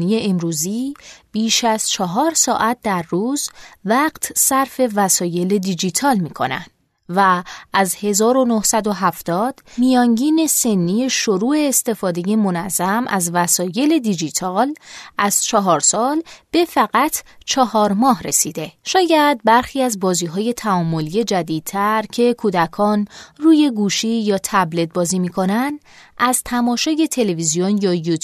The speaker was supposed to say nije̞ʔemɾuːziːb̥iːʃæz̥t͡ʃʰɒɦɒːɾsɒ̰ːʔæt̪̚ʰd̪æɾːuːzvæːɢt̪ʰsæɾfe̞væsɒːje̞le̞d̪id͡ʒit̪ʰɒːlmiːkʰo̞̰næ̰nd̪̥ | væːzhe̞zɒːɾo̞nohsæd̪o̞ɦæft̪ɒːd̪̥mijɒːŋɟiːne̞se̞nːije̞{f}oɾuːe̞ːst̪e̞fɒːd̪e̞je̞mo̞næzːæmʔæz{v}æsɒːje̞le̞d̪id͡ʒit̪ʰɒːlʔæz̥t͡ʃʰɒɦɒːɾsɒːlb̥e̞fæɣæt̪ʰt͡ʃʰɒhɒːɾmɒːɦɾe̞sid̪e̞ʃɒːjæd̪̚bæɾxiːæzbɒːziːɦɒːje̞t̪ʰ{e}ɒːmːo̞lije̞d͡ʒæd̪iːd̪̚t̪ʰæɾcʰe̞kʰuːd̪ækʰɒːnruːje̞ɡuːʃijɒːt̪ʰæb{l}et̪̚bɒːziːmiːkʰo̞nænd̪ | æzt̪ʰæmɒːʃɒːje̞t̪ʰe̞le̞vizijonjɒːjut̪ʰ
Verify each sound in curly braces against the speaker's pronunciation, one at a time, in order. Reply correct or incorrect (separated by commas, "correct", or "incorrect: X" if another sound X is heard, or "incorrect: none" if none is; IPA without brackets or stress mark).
incorrect: ʃ, correct, incorrect: æ, correct